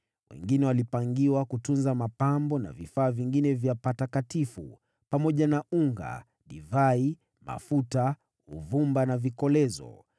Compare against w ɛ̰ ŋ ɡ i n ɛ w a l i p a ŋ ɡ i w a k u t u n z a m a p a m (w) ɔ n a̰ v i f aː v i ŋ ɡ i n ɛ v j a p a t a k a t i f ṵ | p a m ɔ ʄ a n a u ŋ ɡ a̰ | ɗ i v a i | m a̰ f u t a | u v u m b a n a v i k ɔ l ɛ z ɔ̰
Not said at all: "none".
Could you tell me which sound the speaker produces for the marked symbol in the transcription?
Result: b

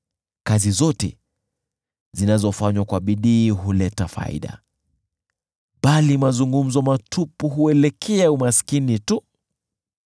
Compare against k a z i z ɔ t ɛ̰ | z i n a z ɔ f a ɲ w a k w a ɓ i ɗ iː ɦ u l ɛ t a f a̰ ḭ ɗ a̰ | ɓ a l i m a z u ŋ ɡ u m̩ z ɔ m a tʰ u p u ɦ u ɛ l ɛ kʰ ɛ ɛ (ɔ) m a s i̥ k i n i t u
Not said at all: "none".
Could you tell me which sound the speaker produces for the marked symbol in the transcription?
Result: u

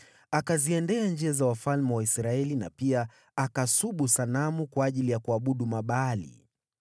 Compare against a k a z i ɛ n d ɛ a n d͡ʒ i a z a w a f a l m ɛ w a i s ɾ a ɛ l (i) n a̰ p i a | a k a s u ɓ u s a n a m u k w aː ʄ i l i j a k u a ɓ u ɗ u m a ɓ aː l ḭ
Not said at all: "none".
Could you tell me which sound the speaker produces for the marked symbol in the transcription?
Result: i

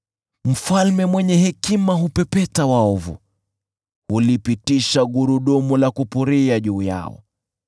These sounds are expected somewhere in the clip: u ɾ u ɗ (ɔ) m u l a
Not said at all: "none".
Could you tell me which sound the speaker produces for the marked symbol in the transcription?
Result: ɔ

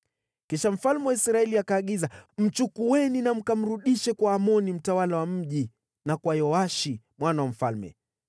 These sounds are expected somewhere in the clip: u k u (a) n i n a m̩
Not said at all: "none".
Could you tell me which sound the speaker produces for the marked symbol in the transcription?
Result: ɛ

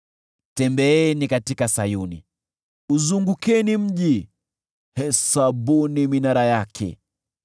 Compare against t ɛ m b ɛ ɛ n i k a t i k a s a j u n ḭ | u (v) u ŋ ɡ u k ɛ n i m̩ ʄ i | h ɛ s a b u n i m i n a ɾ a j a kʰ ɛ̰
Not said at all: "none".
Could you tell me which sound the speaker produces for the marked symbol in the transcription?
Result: z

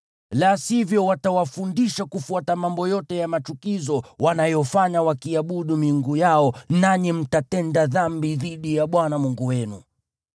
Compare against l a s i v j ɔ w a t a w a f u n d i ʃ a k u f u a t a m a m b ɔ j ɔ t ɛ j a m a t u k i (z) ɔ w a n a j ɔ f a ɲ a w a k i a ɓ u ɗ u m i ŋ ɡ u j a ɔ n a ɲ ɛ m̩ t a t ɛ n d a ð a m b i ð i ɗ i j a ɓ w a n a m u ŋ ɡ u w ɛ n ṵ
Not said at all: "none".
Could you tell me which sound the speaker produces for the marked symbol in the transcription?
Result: z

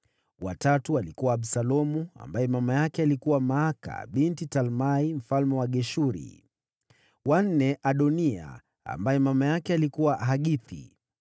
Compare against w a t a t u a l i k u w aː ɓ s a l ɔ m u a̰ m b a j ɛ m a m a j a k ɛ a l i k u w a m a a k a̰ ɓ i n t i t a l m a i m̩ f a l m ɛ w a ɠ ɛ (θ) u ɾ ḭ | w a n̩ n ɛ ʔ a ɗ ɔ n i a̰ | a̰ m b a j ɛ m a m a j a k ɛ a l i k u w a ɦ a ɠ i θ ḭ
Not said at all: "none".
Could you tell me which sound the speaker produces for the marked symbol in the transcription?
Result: ʃ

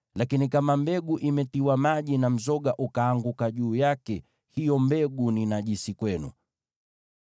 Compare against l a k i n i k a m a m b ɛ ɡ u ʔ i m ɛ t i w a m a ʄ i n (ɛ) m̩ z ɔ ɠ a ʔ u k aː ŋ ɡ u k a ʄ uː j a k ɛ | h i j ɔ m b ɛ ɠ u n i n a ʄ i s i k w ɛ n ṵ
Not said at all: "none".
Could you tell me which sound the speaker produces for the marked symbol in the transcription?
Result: a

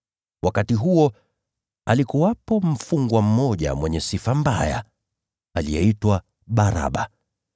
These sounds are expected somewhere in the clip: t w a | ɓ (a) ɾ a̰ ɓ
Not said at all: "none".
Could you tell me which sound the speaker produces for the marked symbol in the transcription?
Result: a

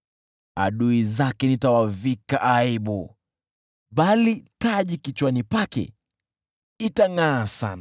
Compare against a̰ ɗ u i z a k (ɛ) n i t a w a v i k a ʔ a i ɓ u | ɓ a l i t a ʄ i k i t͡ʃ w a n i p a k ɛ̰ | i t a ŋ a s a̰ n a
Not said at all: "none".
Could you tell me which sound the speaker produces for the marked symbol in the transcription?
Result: ɛ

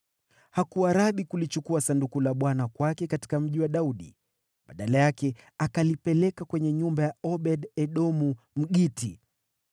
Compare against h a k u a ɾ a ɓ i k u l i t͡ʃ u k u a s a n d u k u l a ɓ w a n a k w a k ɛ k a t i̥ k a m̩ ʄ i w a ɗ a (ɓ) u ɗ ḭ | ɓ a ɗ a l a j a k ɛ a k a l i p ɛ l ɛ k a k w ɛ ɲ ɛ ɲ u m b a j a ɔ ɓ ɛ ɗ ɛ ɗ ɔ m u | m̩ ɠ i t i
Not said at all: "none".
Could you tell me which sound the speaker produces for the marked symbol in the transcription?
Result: none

